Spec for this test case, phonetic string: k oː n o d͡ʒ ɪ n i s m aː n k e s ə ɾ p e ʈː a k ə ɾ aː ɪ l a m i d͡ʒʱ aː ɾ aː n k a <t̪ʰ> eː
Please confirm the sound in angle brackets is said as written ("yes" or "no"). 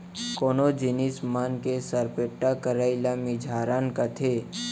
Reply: yes